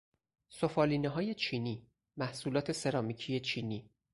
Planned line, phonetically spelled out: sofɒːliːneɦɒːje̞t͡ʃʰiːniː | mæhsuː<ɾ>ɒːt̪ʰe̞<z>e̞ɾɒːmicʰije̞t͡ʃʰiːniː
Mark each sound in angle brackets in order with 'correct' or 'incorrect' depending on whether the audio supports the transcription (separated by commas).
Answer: incorrect, incorrect